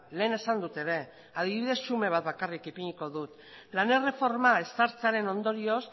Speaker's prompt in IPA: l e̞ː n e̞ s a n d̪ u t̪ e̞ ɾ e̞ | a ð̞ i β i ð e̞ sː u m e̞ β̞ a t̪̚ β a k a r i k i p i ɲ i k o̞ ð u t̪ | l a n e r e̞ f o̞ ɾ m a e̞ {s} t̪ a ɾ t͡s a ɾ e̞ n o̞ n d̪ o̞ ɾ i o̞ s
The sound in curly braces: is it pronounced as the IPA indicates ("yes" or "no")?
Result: yes